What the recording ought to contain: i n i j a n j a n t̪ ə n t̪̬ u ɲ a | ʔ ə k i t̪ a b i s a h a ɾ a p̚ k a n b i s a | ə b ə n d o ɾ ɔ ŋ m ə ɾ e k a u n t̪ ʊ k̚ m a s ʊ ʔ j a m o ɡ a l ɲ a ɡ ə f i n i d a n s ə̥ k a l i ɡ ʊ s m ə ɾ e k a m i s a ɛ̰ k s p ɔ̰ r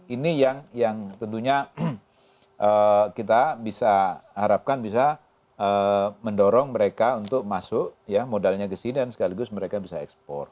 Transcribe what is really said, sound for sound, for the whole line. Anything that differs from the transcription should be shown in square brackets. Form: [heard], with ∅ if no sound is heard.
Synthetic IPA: i n i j a [ŋ] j a [ŋ] t̪ ə n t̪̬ u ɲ a | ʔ ə k i t̪ a b i s a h a ɾ a p̚ k a n b i s a | ə [m] ə n d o ɾ ɔ ŋ m ə ɾ e k a u n t̪ ʊ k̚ m a s ʊ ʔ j a m o [d] a l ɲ a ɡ ə [s] i n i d a n s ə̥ k a l i ɡ ʊ s m ə ɾ e k a [b] i s a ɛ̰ k s p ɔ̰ r